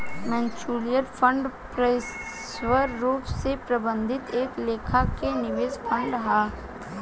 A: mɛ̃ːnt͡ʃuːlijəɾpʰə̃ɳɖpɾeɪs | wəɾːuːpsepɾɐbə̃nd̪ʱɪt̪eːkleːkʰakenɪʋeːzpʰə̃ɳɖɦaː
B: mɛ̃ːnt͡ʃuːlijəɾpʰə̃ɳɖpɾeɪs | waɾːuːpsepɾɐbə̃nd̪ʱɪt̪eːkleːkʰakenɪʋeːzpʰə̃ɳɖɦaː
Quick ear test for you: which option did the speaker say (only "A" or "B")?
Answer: A